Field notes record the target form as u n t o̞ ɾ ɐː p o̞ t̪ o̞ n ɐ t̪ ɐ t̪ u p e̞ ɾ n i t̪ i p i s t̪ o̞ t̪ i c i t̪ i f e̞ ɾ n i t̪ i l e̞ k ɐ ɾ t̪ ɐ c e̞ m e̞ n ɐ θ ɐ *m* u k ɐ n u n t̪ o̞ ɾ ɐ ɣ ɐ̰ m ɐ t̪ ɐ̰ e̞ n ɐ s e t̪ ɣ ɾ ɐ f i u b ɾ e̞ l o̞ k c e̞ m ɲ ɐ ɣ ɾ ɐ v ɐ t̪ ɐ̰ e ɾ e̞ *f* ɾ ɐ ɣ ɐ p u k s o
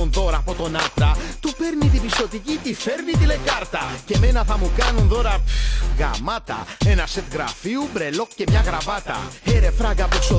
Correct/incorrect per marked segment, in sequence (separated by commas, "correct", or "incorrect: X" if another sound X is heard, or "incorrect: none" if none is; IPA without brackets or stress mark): correct, correct